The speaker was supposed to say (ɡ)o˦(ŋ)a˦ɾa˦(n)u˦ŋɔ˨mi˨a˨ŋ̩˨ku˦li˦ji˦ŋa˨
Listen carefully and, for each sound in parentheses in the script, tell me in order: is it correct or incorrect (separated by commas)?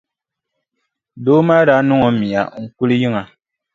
incorrect, incorrect, correct